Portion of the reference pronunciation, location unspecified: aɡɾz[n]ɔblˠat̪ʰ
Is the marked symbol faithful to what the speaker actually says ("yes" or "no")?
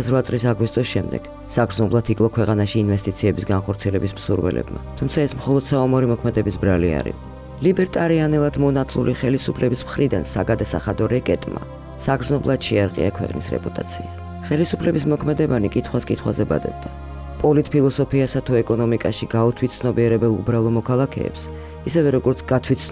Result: yes